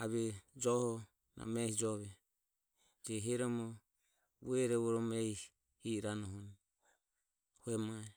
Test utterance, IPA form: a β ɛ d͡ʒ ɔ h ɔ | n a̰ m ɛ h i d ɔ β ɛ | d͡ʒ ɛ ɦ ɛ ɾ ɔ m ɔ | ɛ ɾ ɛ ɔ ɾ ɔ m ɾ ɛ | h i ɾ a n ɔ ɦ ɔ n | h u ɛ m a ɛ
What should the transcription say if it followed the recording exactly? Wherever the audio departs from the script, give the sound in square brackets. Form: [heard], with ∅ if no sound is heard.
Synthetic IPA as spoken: a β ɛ d͡ʒ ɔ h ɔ | n a̰ m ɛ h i [d͡ʒ] ɔ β ɛ | d͡ʒ ɛ ɦ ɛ ɾ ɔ m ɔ | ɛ ɾ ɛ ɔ ɾ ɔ m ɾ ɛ | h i ɾ a n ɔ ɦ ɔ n | h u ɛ m a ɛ

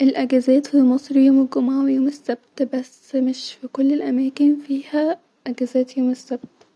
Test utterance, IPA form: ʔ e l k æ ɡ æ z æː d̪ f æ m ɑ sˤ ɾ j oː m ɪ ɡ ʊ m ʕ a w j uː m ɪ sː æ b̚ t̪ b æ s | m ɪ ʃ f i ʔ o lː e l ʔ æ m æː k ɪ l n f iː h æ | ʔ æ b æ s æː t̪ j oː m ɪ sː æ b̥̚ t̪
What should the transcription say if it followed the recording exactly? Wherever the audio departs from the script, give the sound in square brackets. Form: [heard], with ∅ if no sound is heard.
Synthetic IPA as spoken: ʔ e l [ʔ] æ ɡ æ z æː [t̪] f [i] m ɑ sˤ ɾ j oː m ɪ ɡ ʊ m ʕ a w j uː m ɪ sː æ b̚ t̪ b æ s | m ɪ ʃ f i [k] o lː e l ʔ æ m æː k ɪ [∅] n f iː h æ | ʔ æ [ɡ] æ [z] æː t̪ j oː m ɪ sː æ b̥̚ t̪

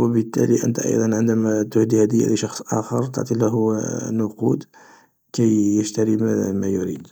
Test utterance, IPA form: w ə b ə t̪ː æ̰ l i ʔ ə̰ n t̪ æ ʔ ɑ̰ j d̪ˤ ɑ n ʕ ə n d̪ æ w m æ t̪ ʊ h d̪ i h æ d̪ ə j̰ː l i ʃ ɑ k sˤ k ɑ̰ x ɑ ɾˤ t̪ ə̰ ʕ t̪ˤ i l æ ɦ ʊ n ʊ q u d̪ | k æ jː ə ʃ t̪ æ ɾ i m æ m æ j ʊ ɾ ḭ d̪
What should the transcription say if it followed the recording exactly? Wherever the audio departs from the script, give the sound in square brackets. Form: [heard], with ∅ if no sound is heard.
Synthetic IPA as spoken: w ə b ə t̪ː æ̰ l i ʔ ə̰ n t̪ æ ʔ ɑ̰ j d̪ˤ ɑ n ʕ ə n d̪ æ [∅] m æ t̪ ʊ h d̪ i h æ d̪ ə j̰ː l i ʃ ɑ [x] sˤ [ʔ] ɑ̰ x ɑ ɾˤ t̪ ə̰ ʕ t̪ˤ i l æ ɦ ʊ n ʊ q u d̪ | k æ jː ə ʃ t̪ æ ɾ i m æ m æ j ʊ ɾ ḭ d̪

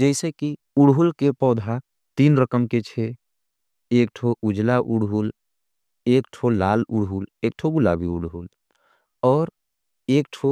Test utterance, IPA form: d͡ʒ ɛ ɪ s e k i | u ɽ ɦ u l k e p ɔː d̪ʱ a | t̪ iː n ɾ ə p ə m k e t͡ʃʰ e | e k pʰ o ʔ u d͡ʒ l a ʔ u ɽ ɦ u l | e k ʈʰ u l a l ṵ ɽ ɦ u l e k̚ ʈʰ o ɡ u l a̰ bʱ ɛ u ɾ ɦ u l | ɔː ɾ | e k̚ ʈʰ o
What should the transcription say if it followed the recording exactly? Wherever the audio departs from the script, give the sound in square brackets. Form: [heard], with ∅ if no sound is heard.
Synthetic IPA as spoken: d͡ʒ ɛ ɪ s e k i | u ɽ ɦ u l k e p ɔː d̪ʱ a | t̪ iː n ɾ ə [k] ə m k e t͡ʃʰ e | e k [ʈʰ] o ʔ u d͡ʒ l a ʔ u ɽ ɦ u l | e k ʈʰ [o] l a l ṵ ɽ ɦ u l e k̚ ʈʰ o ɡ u l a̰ bʱ [i] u [ɽ] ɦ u l | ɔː ɾ | e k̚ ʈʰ o

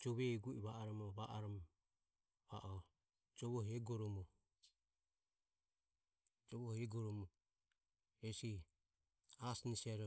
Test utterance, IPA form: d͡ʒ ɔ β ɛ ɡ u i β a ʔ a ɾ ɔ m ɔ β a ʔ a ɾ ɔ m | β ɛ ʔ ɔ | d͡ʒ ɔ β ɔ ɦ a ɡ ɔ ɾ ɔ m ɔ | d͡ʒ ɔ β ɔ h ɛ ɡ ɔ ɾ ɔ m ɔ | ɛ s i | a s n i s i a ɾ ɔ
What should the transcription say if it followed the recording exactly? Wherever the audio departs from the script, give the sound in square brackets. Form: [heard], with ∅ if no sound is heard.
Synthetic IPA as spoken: d͡ʒ ɔ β ɛ ɡ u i β a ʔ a ɾ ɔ m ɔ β a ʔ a ɾ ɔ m | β [a] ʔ ɔ | d͡ʒ ɔ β ɔ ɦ [ɛ] ɡ ɔ ɾ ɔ m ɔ | d͡ʒ ɔ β ɔ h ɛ ɡ ɔ ɾ ɔ m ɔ | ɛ s i | a s n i s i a ɾ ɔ

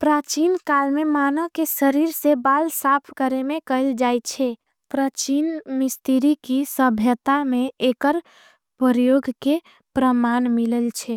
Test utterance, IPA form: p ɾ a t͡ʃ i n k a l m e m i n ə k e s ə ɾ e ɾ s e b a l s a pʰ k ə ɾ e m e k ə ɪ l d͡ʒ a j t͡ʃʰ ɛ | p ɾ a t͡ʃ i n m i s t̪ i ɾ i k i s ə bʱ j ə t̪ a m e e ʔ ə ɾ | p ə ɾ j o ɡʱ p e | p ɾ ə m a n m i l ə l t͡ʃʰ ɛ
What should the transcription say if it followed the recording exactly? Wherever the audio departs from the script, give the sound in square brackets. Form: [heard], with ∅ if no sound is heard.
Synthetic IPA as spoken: p ɾ a t͡ʃ i n k a l m e m [a] n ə k e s ə ɾ [i] ɾ s e b a l s a pʰ k ə ɾ e m e k ə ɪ l d͡ʒ a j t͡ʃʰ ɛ | p ɾ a t͡ʃ i n m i s t̪ i ɾ i k i s ə bʱ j ə t̪ a m e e [k] ə ɾ | p ə ɾ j o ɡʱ [k] e | p ɾ ə m a n m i l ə l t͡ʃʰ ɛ

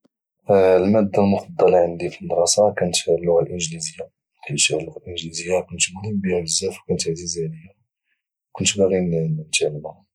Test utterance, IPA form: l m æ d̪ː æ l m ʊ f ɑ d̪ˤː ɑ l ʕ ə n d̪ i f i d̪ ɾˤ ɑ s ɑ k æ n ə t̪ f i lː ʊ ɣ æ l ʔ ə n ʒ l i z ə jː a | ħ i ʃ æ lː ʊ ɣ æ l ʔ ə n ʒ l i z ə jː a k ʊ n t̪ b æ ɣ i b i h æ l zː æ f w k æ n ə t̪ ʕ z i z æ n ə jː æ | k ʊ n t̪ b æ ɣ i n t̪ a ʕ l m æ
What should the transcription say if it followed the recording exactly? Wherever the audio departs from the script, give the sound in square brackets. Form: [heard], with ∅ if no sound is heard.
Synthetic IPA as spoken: l m æ d̪ː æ l m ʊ f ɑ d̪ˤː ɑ l ʕ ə n d̪ i f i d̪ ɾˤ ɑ s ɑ k æ n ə t̪ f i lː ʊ ɣ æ l ʔ ə n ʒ l i z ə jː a | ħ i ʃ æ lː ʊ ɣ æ l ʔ ə n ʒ l i z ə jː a k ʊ n t̪ b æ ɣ i b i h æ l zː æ f w k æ n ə t̪ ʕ z i z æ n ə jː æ | k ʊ n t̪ b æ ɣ i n t̪ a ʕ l m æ

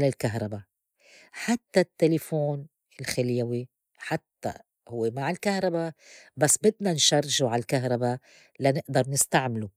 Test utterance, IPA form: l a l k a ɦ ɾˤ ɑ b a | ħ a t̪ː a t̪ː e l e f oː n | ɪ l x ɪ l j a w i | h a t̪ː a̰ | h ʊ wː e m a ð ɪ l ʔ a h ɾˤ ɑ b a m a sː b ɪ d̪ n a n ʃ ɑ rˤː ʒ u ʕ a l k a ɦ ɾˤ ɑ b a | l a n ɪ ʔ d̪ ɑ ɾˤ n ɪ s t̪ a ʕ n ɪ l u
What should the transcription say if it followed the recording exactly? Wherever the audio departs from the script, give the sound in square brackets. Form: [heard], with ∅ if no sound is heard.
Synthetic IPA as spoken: l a l k a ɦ ɾˤ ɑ b a | ħ a t̪ː a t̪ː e l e f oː n | ɪ l x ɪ l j a w i | [ħ] a t̪ː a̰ | h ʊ wː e m a [ʕ] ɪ l [k] a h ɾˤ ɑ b a [b] a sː b ɪ d̪ n a n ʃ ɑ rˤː ʒ u ʕ a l k a ɦ ɾˤ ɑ b a | l a n ɪ ʔ d̪ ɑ ɾˤ n ɪ s t̪ a ʕ [m] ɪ l u

